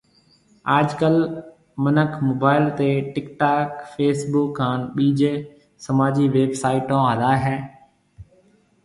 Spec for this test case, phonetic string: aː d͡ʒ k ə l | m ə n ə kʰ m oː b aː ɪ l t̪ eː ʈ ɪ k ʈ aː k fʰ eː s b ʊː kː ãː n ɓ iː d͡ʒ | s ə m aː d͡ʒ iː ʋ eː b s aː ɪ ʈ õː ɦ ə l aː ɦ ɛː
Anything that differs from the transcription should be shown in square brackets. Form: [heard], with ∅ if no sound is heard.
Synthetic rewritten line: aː d͡ʒ k ə l | m ə n ə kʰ m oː b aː ɪ l t̪ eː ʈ ɪ k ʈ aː k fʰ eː s b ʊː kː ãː n ɓ iː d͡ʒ | s ə m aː d͡ʒ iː ʋ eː b s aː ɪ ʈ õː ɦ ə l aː ɦ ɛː